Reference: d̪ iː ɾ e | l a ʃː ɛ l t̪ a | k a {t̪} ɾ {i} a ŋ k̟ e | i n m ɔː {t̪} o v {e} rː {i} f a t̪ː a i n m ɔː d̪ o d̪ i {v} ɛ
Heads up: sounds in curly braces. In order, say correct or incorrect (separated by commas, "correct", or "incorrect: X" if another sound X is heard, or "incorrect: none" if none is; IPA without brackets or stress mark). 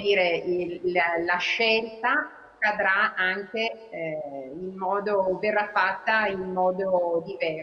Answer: incorrect: d̪, incorrect: a, incorrect: d̪, correct, incorrect: a, correct